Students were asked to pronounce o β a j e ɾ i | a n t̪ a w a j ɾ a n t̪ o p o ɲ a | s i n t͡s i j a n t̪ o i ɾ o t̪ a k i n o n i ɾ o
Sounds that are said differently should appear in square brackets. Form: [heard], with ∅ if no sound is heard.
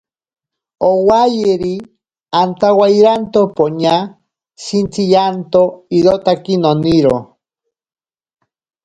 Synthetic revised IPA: o [w] a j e ɾ i | a n t̪ a w a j ɾ a n t̪ o p o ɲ a | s i n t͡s i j a n t̪ o i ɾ o t̪ a k i n o n i ɾ o